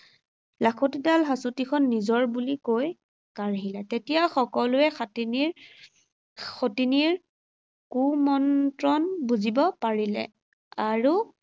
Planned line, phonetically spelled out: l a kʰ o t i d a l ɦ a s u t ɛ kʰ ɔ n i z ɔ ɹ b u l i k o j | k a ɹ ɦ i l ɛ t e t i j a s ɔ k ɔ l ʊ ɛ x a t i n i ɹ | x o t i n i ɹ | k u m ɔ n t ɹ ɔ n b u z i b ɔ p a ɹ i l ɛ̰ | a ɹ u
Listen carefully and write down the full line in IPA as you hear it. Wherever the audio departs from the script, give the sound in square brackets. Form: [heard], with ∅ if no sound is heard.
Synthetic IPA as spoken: l a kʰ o t i d a l ɦ a s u t [i] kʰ ɔ [nː] i z ɔ ɹ b u l i k o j | k a ɹ ɦ i l ɛ t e t i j a [x] ɔ k ɔ l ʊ ɛ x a t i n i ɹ | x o t i n i ɹ | k u m ɔ n t ɹ ɔ n b u z i b ɔ p a ɹ i l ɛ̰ | a ɹ u